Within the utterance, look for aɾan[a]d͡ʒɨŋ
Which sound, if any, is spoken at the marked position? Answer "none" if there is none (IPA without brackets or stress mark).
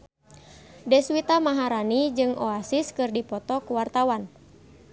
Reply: i